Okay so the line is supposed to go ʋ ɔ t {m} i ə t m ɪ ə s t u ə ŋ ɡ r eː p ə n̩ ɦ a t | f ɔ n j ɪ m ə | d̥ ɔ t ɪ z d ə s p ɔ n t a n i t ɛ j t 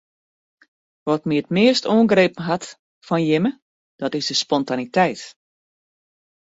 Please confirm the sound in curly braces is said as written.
yes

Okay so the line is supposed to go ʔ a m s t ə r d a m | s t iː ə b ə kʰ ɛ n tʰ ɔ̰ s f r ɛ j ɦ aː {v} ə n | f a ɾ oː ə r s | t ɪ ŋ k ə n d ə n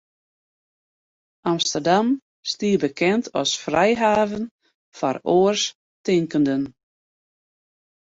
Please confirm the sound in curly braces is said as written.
yes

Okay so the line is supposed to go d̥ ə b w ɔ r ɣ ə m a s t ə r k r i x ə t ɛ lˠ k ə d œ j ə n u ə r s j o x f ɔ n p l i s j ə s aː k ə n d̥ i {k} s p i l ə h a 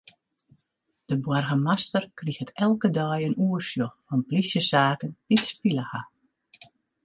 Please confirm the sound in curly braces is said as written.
no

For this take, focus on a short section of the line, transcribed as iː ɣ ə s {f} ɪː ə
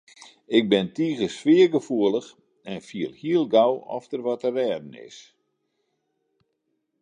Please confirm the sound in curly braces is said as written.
yes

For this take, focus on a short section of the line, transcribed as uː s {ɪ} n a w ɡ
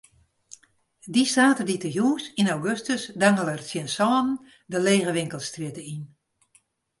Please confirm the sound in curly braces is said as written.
no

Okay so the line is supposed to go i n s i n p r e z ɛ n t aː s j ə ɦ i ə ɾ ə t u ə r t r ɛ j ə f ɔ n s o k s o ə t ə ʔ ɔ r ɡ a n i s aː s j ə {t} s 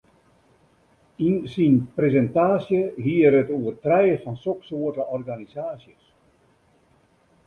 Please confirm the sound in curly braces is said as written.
no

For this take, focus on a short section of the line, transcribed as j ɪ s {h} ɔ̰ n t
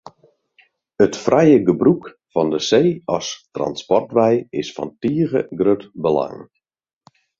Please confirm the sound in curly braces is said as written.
no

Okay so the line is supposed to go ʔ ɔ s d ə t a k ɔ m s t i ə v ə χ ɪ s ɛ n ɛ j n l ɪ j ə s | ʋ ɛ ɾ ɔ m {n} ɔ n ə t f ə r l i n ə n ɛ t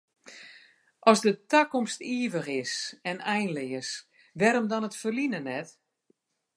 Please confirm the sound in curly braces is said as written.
no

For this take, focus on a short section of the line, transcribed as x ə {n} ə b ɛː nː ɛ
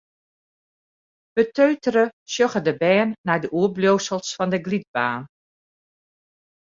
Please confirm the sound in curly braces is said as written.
no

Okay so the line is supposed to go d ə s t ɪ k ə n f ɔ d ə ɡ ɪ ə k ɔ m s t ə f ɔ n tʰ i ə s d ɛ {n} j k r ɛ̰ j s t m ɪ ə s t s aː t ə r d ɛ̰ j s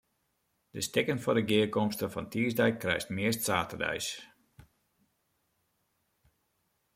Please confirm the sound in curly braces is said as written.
no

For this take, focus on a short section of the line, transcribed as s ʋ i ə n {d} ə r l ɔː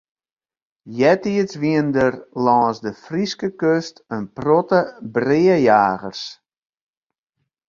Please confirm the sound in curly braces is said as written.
yes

